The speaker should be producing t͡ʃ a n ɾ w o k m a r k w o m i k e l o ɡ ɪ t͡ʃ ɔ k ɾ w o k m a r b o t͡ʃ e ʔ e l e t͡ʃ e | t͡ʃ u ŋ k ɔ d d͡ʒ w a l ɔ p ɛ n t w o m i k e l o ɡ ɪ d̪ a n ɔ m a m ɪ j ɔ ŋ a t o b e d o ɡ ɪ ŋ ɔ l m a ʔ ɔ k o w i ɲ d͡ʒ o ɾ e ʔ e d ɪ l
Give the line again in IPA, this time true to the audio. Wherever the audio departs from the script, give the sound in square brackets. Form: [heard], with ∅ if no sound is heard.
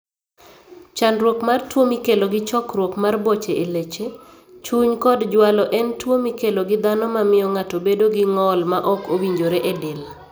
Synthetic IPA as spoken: t͡ʃ a n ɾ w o k m a r [t] w o m i k e l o ɡ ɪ t͡ʃ ɔ k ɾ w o k m a r b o t͡ʃ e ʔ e l e t͡ʃ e | t͡ʃ u [ɲ] k ɔ d d͡ʒ w a l ɔ [ʔ] ɛ n t w o m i k e l o ɡ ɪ d̪ a n ɔ m a m ɪ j ɔ ŋ a t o b e d o ɡ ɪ ŋ ɔ l m a ʔ ɔ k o w i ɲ d͡ʒ o ɾ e ʔ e d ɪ l